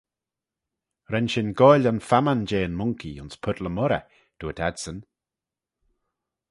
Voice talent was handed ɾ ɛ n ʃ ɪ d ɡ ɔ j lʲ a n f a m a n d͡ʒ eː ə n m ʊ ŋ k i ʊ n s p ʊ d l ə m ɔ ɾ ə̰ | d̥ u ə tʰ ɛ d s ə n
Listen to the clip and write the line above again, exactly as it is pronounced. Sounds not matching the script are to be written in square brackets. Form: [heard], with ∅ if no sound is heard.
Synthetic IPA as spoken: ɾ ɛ n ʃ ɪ [n] ɡ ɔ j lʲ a n f a m a n d͡ʒ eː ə n m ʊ ŋ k i ʊ n s [pʰ] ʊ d l ə m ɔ ɾ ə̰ | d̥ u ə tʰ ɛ d s ə n